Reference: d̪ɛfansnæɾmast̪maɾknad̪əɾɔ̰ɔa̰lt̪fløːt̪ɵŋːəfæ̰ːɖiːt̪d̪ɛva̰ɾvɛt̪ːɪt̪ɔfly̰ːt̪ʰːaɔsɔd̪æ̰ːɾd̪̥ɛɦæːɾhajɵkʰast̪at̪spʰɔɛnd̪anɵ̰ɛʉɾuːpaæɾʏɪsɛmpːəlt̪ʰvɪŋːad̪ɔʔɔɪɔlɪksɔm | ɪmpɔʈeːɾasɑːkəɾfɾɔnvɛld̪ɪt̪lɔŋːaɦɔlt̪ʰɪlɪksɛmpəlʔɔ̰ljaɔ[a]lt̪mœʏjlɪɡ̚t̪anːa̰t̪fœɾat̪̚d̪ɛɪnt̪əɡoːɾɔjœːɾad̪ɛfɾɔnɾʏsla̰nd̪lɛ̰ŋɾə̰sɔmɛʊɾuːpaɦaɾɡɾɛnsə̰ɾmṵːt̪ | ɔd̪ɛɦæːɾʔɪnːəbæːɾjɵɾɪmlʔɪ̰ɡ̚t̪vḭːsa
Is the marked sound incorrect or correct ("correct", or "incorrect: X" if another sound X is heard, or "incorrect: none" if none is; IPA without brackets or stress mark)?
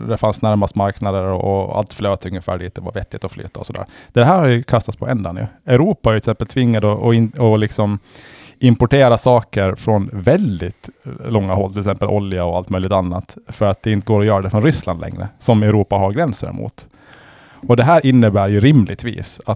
correct